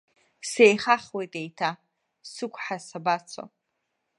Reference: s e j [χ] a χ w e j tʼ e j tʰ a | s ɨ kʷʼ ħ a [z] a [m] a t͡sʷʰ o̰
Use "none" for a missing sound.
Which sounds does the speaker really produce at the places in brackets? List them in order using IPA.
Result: χ, s, b

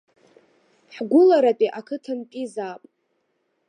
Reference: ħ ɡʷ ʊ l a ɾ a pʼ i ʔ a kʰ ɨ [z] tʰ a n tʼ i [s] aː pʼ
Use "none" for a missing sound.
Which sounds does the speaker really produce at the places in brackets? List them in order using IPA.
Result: none, z

